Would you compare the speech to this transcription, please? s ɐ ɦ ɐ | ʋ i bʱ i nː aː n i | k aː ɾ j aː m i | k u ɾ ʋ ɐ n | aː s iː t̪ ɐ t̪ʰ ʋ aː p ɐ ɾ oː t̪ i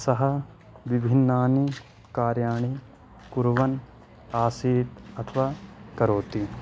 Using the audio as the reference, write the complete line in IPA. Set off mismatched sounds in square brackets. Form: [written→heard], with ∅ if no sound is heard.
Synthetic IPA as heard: s ɐ ɦ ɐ | ʋ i bʱ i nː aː n i | k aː ɾ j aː [m→ɳ] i | k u ɾ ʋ ɐ n | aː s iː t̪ ɐ t̪ʰ ʋ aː [p→k] ɐ ɾ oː t̪ i